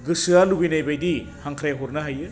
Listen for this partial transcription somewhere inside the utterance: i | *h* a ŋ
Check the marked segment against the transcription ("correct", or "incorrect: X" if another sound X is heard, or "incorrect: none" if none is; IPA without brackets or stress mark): correct